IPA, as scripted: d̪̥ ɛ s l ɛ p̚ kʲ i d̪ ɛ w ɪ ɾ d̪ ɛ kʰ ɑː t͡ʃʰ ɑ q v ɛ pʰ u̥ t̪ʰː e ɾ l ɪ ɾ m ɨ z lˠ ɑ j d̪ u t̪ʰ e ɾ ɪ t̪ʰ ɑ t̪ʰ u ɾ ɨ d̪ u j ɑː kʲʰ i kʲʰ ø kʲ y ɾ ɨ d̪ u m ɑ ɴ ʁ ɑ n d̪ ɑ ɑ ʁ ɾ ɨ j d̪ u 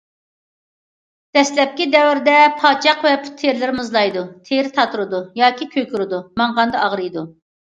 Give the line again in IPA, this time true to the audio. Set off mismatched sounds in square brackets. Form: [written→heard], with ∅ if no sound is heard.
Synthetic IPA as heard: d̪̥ ɛ s l ɛ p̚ kʲ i d̪ ɛ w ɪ ɾ d̪ ɛ [kʰ→pʰ] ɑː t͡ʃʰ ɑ q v ɛ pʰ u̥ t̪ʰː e ɾ l ɪ ɾ m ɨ z lˠ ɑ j d̪ u t̪ʰ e ɾ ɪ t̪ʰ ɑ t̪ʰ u ɾ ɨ d̪ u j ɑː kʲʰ i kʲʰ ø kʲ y ɾ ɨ d̪ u m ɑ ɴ ʁ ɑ n d̪ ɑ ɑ ʁ ɾ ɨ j d̪ u